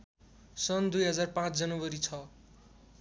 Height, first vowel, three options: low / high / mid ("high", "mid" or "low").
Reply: mid